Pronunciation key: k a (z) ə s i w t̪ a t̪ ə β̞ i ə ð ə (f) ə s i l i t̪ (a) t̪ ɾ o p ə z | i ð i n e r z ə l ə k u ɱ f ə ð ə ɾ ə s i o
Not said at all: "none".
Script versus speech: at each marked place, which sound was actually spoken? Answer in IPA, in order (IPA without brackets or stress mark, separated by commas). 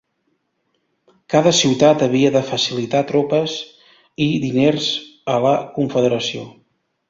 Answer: ð, f, a